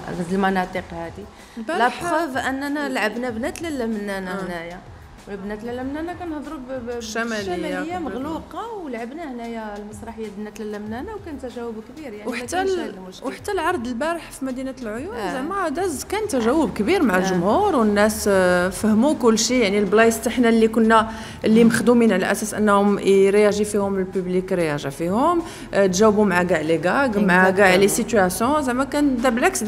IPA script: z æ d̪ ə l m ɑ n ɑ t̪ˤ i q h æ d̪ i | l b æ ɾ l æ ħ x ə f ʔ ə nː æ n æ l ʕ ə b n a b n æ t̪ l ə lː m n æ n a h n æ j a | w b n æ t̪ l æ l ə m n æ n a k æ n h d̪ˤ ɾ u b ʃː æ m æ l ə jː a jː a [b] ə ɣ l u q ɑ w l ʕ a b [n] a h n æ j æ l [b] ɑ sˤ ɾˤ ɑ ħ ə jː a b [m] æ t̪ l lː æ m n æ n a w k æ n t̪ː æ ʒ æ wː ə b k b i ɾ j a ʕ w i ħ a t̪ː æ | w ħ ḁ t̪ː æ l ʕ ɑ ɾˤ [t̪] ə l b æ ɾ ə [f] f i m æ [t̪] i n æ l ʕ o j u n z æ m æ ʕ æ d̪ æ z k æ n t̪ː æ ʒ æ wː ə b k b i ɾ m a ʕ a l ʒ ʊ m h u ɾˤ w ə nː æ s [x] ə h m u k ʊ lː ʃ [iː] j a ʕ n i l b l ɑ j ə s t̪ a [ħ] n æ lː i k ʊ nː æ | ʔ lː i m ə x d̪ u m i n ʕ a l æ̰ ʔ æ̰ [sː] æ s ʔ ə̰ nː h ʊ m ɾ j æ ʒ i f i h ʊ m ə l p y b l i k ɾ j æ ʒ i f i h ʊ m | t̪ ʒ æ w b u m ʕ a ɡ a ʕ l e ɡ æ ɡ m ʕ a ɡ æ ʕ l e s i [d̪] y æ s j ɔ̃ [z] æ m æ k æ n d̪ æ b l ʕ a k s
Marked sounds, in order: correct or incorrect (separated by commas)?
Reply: incorrect, correct, incorrect, incorrect, incorrect, incorrect, incorrect, incorrect, incorrect, correct, incorrect, incorrect, correct